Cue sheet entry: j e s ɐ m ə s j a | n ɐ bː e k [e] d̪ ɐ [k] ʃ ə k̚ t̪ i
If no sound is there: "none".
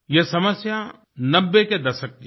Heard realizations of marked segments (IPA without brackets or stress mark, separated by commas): e, none